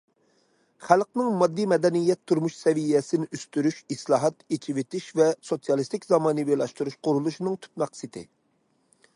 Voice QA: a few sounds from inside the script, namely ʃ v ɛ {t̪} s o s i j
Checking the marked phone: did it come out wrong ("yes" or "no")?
yes